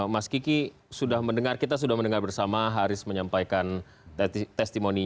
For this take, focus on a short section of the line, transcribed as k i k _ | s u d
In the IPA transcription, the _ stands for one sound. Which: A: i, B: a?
A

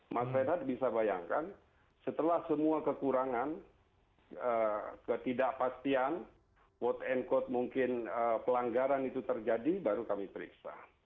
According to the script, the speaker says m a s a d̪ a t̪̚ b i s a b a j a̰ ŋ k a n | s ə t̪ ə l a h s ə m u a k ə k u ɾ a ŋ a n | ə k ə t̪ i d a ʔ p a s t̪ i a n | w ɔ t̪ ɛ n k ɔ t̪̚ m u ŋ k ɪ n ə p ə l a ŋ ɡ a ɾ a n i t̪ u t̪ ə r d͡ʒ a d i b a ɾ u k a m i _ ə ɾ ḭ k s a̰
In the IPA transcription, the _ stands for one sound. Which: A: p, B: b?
A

